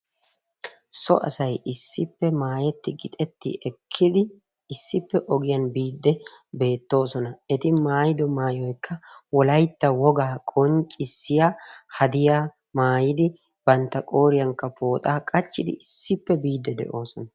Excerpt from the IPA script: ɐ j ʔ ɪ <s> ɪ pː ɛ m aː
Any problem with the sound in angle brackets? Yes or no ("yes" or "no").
yes